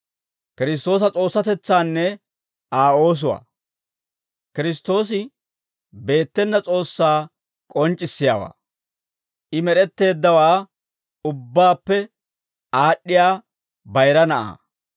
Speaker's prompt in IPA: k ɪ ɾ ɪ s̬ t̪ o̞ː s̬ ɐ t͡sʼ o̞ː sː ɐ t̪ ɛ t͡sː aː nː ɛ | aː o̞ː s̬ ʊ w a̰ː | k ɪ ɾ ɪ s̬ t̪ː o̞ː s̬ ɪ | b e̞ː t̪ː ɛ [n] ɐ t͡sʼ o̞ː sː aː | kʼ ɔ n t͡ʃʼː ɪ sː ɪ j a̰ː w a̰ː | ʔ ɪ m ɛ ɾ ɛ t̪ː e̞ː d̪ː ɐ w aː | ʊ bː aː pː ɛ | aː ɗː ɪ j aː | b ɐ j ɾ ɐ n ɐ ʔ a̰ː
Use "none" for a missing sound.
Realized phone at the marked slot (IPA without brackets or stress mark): nː